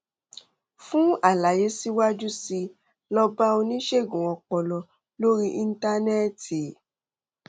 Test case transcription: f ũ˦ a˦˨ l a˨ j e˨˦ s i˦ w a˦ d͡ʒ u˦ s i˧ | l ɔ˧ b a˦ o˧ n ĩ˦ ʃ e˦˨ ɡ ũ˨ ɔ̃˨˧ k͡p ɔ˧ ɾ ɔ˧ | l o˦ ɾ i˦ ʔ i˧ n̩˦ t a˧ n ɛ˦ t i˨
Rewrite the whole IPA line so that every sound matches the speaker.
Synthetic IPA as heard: f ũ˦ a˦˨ l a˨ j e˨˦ s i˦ w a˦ d͡ʒ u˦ s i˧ | l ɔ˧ b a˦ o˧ n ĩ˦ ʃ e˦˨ ɡ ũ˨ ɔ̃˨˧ k͡p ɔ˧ l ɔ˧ | l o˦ ɾ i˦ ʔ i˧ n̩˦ t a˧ n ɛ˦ t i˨